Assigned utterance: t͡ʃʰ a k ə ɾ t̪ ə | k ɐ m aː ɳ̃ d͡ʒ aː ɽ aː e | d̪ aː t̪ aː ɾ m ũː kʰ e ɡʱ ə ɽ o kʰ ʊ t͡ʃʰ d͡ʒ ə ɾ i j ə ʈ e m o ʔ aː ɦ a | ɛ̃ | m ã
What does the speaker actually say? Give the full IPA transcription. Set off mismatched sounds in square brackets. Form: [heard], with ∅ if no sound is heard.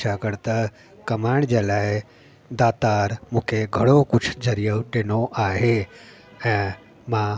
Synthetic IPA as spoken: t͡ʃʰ a k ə ɾ t̪ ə | k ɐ m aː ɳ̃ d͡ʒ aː [l] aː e | d̪ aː t̪ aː ɾ m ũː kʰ e ɡʱ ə ɽ o [k] ʊ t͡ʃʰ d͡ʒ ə ɾ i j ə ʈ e [n] o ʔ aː ɦ [e] | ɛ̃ | m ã